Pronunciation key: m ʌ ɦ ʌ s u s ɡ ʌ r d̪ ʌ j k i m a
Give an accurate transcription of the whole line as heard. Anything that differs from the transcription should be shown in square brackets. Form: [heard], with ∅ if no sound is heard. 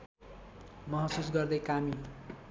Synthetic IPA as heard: m ʌ ɦ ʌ s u s ɡ ʌ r d̪ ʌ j k [a] m [i]